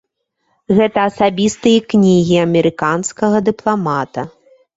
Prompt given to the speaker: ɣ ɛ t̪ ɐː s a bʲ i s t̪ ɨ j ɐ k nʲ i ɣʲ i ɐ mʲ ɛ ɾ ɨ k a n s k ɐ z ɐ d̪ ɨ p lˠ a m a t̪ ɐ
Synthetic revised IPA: ɣ ɛ t̪ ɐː s a bʲ i s t̪ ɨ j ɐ k nʲ i ɣʲ i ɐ mʲ ɛ ɾ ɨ k a n s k ɐ ɣ ɐ d̪ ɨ p lˠ a m a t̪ ɐ